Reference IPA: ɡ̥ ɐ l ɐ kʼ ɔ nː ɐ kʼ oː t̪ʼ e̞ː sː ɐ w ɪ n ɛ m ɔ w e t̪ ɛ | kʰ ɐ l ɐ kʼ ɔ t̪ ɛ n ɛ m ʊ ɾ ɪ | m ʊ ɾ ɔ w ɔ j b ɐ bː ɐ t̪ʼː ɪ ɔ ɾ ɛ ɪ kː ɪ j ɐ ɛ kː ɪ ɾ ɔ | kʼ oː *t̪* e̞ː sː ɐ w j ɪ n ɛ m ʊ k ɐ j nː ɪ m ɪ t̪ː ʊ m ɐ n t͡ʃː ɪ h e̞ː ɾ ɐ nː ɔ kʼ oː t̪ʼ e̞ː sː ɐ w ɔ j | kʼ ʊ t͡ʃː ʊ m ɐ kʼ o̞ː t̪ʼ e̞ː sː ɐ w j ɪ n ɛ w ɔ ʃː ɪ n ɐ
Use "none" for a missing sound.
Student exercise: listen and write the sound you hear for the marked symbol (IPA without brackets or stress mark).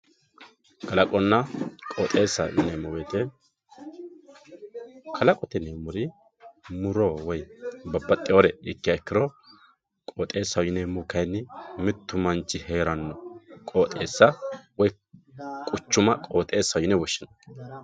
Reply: t̪ʼ